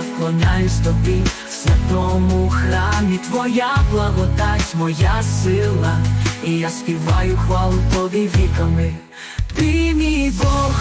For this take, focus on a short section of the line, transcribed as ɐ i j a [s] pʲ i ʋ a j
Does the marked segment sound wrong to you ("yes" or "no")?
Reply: no